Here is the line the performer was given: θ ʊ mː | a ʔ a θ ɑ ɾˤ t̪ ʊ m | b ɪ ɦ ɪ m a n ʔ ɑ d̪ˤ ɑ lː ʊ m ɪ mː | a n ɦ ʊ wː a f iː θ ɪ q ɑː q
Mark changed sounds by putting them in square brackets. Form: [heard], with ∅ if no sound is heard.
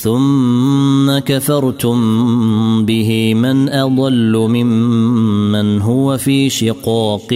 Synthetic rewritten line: θ ʊ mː | a [k] a θ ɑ ɾˤ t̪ ʊ m | b ɪ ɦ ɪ m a n ʔ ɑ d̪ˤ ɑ lː ʊ m ɪ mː | a n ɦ ʊ [w] a f iː [ʃ] ɪ q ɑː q